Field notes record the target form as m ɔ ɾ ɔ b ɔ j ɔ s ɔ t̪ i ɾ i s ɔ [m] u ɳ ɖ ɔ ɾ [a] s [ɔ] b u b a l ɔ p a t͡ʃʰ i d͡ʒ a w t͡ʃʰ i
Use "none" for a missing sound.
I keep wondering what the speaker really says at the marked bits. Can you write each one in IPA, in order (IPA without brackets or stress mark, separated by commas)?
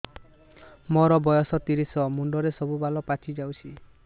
m, e, ɔ